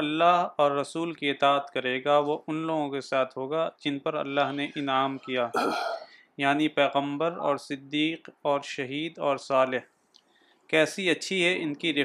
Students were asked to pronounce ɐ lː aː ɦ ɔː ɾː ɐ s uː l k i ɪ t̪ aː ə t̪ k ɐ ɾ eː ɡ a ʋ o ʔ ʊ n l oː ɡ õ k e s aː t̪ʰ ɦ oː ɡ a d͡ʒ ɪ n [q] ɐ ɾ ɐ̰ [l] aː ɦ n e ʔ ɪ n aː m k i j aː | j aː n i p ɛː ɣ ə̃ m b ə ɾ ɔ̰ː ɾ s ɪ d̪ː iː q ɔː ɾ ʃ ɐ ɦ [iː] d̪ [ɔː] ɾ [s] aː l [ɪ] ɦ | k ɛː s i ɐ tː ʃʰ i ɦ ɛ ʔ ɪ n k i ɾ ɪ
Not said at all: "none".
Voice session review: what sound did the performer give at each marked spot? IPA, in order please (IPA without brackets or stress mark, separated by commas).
p, lː, iː, ɔː, s, ɪ